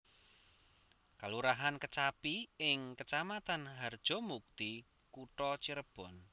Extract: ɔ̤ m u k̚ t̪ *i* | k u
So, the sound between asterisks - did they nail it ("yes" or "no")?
yes